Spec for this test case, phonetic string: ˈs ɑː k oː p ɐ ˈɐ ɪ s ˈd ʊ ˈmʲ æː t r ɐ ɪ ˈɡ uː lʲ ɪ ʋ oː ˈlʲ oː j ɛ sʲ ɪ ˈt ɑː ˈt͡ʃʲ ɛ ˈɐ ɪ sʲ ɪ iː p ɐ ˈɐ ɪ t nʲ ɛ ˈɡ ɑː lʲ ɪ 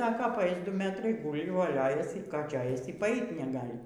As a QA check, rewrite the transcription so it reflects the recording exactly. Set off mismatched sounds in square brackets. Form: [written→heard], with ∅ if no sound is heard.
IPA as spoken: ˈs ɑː k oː p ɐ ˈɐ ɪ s ˈd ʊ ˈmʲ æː t r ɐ ɪ ˈɡ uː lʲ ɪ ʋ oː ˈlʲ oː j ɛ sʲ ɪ [ˈt→ˈk] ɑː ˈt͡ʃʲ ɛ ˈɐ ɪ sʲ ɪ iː p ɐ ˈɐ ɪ t nʲ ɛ ˈɡ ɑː lʲ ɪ